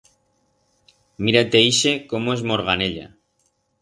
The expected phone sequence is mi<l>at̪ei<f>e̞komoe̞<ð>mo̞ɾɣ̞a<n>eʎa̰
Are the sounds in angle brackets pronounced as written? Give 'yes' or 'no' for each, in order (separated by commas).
no, no, no, yes